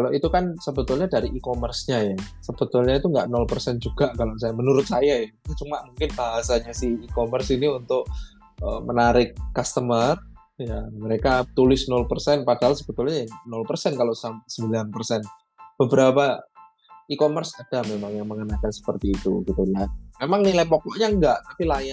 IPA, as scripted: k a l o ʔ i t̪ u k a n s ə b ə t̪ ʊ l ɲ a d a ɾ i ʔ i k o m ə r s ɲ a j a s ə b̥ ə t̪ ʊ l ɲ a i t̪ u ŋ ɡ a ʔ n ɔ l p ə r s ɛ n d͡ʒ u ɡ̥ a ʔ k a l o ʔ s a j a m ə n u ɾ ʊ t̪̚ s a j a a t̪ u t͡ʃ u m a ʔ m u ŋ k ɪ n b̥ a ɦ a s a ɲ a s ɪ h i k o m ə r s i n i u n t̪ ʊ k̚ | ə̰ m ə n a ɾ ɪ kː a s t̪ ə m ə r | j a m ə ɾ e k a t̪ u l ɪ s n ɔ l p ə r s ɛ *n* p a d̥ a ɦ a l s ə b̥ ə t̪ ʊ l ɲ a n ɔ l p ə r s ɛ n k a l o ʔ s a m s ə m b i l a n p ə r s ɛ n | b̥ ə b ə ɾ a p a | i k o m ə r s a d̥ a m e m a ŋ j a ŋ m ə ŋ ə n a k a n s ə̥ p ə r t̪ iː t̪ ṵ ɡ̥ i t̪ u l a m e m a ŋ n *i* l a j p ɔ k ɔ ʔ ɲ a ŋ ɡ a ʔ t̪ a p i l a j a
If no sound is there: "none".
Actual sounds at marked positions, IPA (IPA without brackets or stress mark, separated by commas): n, i